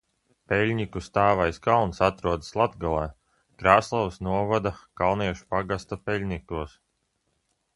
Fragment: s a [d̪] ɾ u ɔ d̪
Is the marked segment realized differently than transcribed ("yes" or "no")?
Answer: yes